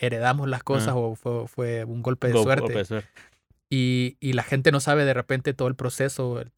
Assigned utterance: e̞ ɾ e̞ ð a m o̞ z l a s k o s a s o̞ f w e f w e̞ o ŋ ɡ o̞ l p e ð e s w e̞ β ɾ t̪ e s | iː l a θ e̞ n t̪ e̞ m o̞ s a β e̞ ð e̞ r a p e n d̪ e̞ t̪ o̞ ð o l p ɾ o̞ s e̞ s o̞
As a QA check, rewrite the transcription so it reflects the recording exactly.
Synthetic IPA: e̞ ɾ e̞ ð a m o̞ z l a s k o s a s o̞ f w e f w e̞ u ŋ ɡ o̞ l p e ð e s w e̞ ɾ t̪ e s | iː l a x e̞ n t̪ e̞ n o̞ s a β e̞ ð e̞ r e p e n t̪ e̞ t̪ o̞ ð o l p ɾ o̞ s e̞ s o̞